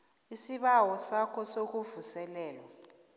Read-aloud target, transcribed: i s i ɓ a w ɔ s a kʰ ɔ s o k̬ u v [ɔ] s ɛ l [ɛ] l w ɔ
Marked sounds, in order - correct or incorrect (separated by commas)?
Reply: incorrect, incorrect